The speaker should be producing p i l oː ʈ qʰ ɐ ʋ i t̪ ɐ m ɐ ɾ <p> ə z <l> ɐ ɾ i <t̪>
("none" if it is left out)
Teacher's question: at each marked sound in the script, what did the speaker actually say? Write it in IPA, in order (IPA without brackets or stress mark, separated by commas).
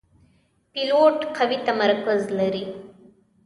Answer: k, l, none